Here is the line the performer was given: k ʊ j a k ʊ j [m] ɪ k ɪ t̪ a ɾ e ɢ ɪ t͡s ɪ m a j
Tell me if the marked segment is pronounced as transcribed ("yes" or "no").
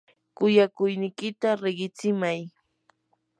no